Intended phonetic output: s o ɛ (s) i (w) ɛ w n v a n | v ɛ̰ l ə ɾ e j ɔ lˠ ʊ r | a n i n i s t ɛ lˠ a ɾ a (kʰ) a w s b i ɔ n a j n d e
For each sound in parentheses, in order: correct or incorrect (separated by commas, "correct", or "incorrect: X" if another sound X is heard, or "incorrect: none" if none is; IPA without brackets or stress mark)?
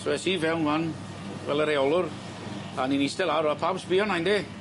correct, incorrect: v, incorrect: pʰ